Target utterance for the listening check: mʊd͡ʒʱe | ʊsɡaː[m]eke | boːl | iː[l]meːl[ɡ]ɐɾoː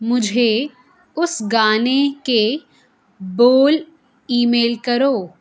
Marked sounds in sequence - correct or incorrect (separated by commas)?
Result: incorrect, incorrect, incorrect